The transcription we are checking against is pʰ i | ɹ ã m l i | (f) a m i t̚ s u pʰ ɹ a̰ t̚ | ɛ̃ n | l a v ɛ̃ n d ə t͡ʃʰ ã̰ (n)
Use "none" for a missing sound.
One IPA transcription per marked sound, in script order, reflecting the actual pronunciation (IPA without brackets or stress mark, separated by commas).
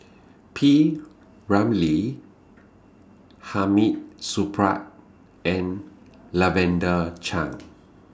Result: h, ŋ